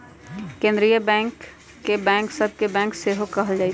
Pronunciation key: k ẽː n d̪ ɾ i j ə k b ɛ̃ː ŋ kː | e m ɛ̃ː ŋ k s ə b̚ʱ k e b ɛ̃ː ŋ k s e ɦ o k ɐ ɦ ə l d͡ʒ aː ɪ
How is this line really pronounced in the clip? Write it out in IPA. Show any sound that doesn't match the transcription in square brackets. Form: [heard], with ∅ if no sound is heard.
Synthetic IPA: k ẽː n d̪ ɾ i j ə [∅] b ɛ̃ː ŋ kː | e [b] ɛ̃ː ŋ k s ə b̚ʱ k e b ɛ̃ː ŋ k s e ɦ o k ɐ ɦ ə l d͡ʒ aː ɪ

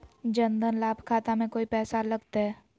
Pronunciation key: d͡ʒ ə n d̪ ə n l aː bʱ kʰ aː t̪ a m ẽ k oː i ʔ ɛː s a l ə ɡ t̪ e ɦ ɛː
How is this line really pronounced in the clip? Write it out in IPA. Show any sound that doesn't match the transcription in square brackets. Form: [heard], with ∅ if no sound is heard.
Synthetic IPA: d͡ʒ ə n d̪ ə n l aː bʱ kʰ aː t̪ a m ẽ k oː i [p] ɛː s a l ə ɡ t̪ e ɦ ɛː

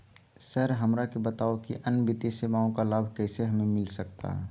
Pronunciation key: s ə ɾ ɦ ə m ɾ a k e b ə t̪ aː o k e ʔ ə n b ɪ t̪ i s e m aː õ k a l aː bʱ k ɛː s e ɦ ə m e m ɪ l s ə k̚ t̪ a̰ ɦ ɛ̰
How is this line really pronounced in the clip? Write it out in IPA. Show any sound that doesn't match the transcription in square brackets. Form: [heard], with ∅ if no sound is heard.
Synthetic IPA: s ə ɾ ɦ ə m ɾ a k e b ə t̪ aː o k [i] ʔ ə n b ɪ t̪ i s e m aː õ k a l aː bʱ k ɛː s e ɦ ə m e m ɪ l s ə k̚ t̪ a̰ ɦ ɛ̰

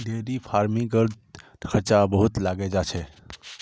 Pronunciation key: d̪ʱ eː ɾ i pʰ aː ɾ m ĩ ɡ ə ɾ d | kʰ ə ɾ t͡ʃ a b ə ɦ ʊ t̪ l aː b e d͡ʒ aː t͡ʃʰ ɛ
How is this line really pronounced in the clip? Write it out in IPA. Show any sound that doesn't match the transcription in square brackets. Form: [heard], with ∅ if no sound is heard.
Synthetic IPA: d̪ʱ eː ɾ i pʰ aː ɾ m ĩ ɡ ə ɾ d | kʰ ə ɾ t͡ʃ a b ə ɦ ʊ t̪ l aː [ɡ] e d͡ʒ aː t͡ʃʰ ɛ

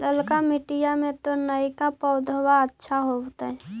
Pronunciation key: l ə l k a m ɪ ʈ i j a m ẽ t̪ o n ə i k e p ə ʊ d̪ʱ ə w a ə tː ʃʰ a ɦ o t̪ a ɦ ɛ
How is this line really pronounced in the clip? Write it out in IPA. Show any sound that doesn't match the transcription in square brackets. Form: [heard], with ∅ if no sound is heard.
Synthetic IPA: l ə l k a m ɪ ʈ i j a m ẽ t̪ o n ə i k [a] p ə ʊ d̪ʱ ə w a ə tː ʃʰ a ɦ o t̪ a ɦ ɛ

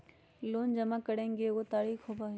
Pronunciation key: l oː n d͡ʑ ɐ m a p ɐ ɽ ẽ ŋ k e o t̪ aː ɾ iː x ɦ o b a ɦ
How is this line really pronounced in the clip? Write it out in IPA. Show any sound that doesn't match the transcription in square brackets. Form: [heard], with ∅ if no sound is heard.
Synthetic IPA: l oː n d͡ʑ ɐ m a [k] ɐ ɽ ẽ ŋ [ɡ] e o t̪ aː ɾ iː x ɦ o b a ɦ

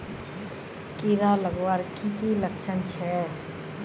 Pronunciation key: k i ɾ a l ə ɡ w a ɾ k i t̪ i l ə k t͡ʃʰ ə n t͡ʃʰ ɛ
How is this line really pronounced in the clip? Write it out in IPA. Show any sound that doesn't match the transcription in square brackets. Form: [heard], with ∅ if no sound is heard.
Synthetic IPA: k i ɾ a l ə ɡ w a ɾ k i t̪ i l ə k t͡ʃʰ ə n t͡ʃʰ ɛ

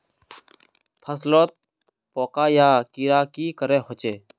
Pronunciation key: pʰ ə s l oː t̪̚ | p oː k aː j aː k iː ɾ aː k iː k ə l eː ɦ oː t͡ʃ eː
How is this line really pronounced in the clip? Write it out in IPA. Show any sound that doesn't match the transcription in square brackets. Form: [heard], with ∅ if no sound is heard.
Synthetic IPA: pʰ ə s l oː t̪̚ | p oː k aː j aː k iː ɾ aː k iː k ə [ɾ] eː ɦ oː t͡ʃ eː

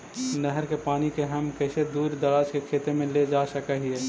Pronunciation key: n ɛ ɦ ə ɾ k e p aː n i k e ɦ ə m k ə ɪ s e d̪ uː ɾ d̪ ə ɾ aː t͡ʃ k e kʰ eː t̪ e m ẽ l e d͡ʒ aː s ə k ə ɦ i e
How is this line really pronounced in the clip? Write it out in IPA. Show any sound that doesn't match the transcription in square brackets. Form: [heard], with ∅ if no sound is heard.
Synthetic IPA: n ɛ ɦ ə ɾ k e p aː n i k e ɦ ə m k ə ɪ s e d̪ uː ɾ d̪ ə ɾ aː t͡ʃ k e kʰ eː t̪ e m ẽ l e d͡ʒ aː s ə k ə ɦ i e

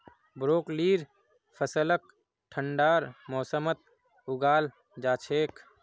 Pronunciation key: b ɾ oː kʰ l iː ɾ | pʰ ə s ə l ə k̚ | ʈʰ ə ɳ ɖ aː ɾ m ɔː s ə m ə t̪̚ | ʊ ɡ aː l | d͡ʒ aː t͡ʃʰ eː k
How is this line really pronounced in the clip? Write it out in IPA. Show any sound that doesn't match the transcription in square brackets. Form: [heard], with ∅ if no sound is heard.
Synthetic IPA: b ɾ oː [k] l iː ɾ | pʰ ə s ə l ə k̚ | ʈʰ ə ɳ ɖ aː ɾ m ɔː s ə m ə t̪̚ | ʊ ɡ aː l | d͡ʒ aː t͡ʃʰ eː k

